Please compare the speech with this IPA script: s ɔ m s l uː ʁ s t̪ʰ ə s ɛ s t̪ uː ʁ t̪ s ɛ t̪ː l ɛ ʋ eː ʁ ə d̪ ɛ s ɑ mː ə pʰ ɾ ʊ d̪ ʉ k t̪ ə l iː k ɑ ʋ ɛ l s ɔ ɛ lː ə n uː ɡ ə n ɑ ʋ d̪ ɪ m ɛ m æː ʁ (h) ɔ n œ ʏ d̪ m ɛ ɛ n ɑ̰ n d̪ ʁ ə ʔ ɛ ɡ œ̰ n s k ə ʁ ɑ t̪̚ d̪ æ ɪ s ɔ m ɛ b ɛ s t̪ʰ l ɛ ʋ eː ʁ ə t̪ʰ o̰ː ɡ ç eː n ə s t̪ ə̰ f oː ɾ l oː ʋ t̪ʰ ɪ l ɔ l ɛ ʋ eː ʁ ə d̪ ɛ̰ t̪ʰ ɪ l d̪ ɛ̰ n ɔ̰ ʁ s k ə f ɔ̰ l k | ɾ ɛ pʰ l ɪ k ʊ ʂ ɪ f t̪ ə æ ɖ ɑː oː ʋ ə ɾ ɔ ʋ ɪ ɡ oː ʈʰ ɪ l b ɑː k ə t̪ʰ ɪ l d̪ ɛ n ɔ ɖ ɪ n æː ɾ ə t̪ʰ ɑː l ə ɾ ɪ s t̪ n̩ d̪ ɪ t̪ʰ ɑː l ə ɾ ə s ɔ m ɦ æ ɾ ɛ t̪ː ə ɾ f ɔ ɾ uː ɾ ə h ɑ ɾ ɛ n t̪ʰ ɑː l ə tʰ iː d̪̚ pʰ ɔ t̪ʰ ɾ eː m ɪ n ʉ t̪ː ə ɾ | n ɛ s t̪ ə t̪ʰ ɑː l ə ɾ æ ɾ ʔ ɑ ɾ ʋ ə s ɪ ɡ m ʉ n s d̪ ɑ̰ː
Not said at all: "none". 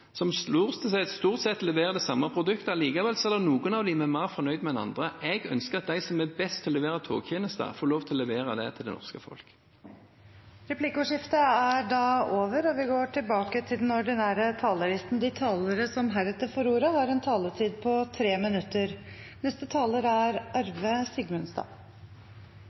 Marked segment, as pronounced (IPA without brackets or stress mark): f